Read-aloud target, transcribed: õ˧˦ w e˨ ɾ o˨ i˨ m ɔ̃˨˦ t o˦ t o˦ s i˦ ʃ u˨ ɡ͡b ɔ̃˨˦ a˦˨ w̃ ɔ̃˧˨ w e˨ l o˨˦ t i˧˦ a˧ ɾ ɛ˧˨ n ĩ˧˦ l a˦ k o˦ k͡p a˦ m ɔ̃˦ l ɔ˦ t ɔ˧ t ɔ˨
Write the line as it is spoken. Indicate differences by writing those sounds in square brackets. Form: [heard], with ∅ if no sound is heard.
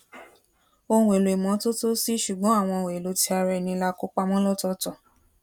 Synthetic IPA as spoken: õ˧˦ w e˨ [l] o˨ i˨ m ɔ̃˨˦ t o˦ t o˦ s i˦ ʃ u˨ ɡ͡b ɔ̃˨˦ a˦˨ w̃ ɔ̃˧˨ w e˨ l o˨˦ t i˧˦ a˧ ɾ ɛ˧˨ n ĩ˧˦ l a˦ k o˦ k͡p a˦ m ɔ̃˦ l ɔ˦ t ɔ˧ t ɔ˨